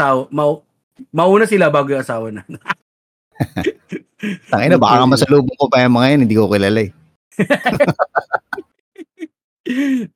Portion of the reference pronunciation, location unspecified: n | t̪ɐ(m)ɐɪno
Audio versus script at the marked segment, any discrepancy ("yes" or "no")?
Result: yes